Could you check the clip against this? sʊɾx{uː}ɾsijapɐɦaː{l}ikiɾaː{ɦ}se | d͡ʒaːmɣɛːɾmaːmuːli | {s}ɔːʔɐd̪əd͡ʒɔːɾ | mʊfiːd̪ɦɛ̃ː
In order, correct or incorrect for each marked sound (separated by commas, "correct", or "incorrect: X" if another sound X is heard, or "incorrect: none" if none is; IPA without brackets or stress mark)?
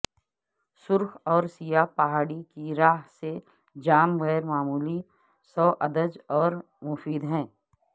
incorrect: ɔː, incorrect: ɽ, correct, correct